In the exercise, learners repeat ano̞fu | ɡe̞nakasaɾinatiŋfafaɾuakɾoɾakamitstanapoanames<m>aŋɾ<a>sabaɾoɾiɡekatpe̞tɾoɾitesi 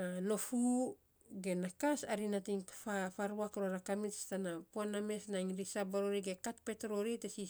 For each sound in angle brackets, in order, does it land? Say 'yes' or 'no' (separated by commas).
no, no